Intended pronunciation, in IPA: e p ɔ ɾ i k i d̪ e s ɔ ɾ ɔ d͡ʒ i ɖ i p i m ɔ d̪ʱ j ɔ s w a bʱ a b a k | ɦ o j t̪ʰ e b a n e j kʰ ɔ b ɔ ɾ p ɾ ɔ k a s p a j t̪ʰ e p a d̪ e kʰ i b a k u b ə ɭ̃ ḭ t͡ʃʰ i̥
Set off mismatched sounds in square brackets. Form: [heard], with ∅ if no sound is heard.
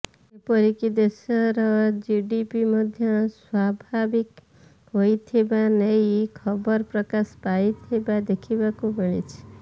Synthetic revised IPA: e p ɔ ɾ i k i d̪ e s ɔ ɾ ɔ d͡ʒ i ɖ i p i m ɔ d̪ʱ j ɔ s w a bʱ a b [i] k | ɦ o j t̪ʰ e b a n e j kʰ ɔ b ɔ ɾ p ɾ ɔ k a s p a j t̪ʰ e [b] a d̪ e kʰ i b a k u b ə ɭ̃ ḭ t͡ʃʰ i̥